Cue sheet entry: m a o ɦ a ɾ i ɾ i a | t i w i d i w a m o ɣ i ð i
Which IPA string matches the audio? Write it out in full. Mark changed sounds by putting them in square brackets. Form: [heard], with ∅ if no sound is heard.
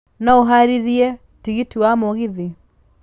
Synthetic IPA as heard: [n] a o ɦ a ɾ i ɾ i [ɛ] | t i [ɣ] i [t] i w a m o ɣ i ð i